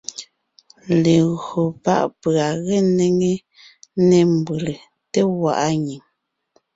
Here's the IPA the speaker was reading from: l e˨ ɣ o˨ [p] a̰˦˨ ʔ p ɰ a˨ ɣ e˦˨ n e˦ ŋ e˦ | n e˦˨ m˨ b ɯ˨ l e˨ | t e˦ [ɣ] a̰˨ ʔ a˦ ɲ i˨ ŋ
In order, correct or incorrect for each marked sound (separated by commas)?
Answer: correct, incorrect